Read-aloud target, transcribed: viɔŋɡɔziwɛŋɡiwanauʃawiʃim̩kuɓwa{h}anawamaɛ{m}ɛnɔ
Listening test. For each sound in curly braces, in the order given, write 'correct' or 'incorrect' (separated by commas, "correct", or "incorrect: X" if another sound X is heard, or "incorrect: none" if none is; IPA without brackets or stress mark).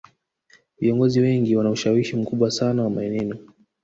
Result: incorrect: s, incorrect: n